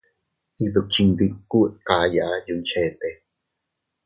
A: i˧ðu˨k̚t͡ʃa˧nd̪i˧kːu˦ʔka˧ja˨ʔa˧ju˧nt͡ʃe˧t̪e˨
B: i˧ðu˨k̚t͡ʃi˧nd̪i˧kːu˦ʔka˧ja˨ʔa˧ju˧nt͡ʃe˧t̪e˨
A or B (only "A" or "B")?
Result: B